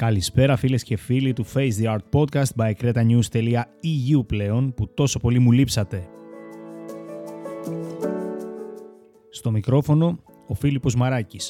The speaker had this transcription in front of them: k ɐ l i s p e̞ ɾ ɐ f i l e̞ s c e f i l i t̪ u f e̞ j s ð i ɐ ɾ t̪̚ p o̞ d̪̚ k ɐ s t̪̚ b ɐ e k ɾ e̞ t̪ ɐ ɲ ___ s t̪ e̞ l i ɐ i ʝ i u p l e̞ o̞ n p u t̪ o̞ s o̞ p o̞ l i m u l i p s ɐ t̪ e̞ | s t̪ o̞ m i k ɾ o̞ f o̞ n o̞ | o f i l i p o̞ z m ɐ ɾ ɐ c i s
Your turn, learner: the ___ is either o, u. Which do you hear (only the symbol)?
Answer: u